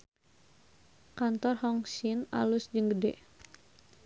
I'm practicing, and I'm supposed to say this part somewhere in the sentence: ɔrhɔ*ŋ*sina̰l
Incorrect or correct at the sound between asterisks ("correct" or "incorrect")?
correct